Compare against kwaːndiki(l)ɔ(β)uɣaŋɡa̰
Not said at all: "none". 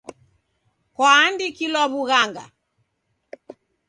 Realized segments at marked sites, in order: l, β

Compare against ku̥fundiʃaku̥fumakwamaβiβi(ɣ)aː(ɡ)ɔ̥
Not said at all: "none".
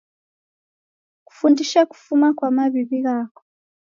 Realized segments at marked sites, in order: ɣ, k

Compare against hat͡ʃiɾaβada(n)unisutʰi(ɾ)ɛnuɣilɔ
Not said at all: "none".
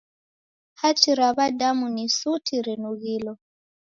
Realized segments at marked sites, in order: m, ɾ

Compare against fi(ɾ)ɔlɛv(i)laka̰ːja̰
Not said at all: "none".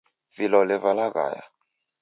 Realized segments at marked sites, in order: l, a

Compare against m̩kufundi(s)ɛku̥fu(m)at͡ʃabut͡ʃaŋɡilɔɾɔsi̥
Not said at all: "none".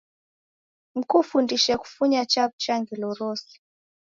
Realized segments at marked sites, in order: ʃ, ɲ

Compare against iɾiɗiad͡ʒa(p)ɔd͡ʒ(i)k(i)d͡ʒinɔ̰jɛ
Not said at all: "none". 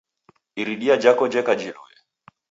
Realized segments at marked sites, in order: k, ɛ, a

